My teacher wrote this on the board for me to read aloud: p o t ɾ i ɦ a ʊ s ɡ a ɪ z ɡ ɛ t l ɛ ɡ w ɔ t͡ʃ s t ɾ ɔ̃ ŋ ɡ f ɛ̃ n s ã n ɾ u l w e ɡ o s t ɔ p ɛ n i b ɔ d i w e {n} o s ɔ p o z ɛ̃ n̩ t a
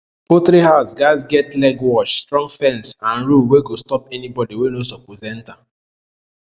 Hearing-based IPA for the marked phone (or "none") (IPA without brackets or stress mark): n